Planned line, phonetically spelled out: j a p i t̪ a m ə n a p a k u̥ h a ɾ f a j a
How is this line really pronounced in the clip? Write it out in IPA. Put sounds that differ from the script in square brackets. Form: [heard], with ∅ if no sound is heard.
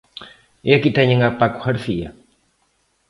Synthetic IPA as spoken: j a [k] i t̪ a [ɲ] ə [ŋ] a p a k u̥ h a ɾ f [i] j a